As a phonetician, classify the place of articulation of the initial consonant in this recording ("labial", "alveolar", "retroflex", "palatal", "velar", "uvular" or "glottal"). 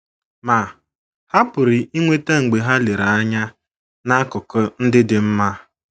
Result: labial